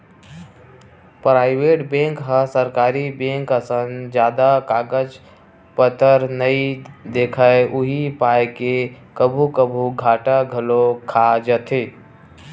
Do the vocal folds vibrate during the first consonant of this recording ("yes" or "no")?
no